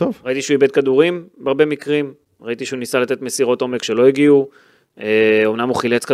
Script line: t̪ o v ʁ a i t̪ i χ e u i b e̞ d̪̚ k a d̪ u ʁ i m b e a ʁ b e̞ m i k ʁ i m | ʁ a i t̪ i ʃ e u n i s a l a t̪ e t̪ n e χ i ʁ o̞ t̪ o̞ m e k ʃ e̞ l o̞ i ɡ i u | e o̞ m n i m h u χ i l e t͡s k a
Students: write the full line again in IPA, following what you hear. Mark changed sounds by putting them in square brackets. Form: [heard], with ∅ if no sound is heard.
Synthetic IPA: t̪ o v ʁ a i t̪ i [ʃ] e u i b e̞ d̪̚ k a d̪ u ʁ i m b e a ʁ b e̞ m i k ʁ i m | ʁ a i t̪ i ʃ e u n i s a l a t̪ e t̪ [m] e [s] i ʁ o̞ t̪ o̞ m e k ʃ e̞ l o̞ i ɡ i u | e o̞ m n [a] m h u χ i l e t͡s k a